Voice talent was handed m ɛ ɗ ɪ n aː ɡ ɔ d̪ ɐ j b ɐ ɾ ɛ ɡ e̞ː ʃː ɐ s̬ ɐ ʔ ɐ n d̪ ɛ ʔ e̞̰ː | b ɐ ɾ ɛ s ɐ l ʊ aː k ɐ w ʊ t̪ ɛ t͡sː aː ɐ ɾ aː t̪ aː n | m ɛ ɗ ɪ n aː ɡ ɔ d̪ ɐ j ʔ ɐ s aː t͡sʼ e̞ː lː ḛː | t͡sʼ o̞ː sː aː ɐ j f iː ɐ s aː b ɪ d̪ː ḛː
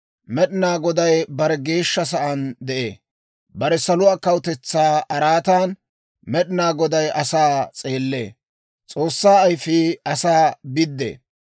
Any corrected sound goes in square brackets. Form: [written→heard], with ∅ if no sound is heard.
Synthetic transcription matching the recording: m ɛ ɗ ɪ n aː ɡ ɔ d̪ ɐ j b ɐ ɾ ɛ ɡ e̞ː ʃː ɐ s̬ ɐ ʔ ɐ n d̪ ɛ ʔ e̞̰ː | b ɐ ɾ ɛ s ɐ l ʊ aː k ɐ w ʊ t̪ ɛ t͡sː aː ɐ ɾ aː t̪ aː n | m ɛ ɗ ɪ n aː ɡ ɔ d̪ ɐ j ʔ ɐ s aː t͡sʼ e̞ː lː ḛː | t͡sʼ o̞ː sː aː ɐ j f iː ɐ s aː b ɪ d̪ː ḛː

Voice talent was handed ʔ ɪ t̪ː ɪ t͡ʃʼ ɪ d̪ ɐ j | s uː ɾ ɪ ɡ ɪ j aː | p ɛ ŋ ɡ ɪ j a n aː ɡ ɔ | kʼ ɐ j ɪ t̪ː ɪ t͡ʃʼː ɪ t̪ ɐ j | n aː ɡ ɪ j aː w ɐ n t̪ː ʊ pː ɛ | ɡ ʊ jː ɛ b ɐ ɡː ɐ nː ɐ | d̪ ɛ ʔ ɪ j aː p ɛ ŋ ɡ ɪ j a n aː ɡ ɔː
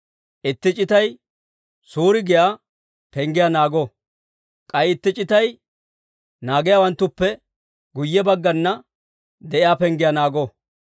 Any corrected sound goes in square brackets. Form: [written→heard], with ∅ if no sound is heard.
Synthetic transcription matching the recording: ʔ ɪ t̪ː ɪ t͡ʃʼ ɪ [d̪→t̪] ɐ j | s uː ɾ ɪ ɡ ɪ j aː | p ɛ ŋ ɡ ɪ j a n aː ɡ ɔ | kʼ ɐ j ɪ t̪ː ɪ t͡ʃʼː ɪ t̪ ɐ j | n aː ɡ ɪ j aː w ɐ n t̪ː ʊ pː ɛ | ɡ ʊ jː ɛ b ɐ ɡː ɐ nː ɐ | d̪ ɛ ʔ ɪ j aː p ɛ ŋ ɡ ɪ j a n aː ɡ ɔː

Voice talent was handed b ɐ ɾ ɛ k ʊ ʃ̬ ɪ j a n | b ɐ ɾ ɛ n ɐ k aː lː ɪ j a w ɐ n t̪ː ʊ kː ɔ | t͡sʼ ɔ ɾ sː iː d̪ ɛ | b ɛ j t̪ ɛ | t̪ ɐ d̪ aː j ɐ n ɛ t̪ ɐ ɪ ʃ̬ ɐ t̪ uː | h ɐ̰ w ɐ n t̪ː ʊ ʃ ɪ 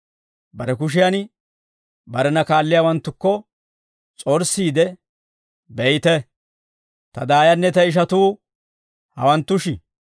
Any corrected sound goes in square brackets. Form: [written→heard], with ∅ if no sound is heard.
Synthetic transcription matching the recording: b ɐ ɾ ɛ k ʊ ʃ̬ ɪ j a n | b ɐ ɾ ɛ n ɐ k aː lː ɪ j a w ɐ n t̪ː ʊ kː ɔ | t͡sʼ ɔ ɾ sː iː d̪ ɛ | b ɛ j t̪ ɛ | t̪ ɐ d̪ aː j ɐ [n→nː] ɛ t̪ ɐ ɪ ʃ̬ ɐ t̪ uː | h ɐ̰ w ɐ n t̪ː ʊ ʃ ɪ

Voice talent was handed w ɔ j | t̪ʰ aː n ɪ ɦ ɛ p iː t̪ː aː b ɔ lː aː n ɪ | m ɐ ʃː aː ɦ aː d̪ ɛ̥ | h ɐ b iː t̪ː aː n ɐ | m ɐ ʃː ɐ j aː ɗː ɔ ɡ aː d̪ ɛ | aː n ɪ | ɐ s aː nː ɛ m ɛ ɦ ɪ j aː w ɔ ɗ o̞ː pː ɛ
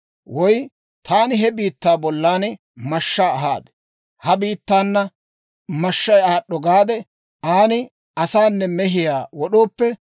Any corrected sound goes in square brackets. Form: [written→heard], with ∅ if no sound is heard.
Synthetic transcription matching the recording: w ɔ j | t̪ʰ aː n ɪ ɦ ɛ [p→b] iː t̪ː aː b ɔ lː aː n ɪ | m ɐ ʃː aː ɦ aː d̪ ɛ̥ | h ɐ b iː t̪ː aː [n→nː] ɐ | m ɐ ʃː ɐ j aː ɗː ɔ ɡ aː d̪ ɛ | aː n ɪ | ɐ s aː nː ɛ m ɛ ɦ ɪ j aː w ɔ ɗ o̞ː pː ɛ

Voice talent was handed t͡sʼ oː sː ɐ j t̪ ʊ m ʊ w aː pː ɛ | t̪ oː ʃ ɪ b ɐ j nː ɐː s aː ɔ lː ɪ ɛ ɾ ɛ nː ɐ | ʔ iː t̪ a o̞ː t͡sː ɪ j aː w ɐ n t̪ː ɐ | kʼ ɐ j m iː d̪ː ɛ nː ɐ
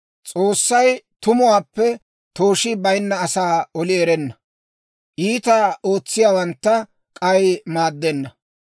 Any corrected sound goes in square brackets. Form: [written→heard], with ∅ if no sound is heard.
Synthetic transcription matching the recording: t͡sʼ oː sː ɐ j t̪ ʊ m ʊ w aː pː ɛ | t̪ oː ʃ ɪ b ɐ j nː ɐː s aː ɔ [lː→l] ɪ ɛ ɾ ɛ nː ɐ | ʔ iː t̪ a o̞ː t͡sː ɪ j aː w ɐ n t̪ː ɐ | kʼ ɐ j m [iː→aː] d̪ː ɛ nː ɐ

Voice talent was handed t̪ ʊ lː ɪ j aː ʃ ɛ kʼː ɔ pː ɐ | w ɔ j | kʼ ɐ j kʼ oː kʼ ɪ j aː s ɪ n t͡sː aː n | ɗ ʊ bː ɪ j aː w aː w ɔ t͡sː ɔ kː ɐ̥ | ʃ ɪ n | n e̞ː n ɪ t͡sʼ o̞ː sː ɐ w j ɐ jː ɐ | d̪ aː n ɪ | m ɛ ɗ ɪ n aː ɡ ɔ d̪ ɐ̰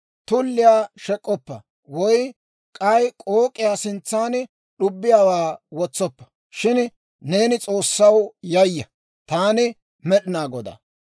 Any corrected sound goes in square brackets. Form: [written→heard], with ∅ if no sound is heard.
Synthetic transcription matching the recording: t̪ ʊ lː ɪ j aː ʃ ɛ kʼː ɔ pː ɐ | w ɔ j | kʼ ɐ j kʼ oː kʼ ɪ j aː s ɪ n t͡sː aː n | ɗ ʊ bː ɪ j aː w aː w ɔ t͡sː ɔ [kː→pː] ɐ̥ | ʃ ɪ n | n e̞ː n ɪ t͡sʼ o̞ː sː ɐ w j ɐ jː ɐ | [d̪→t̪] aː n ɪ | m ɛ ɗ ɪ n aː ɡ ɔ d̪ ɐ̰

